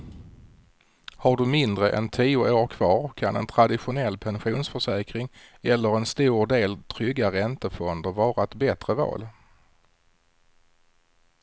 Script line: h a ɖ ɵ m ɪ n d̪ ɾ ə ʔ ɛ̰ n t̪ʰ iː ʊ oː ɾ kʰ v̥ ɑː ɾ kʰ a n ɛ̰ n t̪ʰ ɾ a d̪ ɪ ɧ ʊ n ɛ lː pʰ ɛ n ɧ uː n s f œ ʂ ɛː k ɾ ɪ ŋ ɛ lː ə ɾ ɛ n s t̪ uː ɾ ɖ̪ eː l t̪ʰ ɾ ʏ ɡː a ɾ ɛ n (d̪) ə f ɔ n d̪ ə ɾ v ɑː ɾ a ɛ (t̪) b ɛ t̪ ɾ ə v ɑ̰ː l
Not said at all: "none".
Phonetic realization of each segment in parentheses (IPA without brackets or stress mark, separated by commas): t̪, t̪